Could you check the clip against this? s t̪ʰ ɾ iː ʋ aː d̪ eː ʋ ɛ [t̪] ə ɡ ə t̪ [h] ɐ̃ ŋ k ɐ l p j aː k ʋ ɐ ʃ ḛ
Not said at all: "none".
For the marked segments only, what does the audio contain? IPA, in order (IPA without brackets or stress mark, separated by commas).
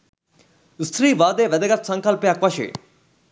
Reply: d̪, s